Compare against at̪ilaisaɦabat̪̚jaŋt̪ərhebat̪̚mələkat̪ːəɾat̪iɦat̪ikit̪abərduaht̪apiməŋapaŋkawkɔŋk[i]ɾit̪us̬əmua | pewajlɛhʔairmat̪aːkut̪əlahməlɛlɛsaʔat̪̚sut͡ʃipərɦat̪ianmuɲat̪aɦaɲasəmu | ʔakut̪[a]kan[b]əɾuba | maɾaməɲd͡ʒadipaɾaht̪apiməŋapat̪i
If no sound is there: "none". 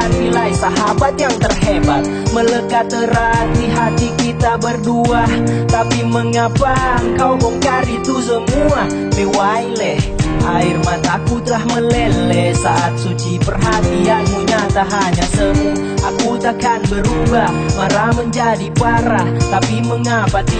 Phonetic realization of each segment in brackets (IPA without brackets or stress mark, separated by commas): a, a, b